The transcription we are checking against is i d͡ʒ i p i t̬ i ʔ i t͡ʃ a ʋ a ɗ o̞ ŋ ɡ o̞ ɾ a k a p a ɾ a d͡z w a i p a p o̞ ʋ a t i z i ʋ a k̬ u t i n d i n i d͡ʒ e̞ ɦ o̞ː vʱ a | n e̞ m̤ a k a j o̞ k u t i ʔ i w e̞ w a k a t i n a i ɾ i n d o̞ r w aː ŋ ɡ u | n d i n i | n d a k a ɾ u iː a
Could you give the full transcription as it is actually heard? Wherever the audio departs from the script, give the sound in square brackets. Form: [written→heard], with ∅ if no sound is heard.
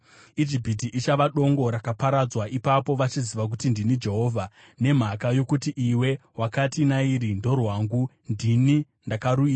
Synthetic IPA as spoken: i d͡ʒ i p i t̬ i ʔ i t͡ʃ a ʋ a ɗ o̞ ŋ ɡ o̞ ɾ a k a p a ɾ a d͡z w a i p a p o̞ ʋ a [t→t͡ʃ] i z i ʋ a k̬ u t i n d i n i d͡ʒ e̞ ɦ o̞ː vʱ a | n e̞ m̤ a k a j o̞ k u t i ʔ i w e̞ w a k a t i n a i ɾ i n d o̞ r w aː ŋ ɡ u | n d i n i | n d a k a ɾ u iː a